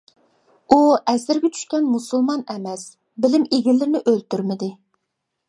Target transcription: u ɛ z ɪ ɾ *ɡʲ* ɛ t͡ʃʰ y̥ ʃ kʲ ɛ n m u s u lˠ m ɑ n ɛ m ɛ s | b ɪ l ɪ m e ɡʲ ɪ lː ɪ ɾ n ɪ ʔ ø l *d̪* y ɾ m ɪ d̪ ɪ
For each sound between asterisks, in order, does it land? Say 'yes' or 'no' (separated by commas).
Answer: yes, no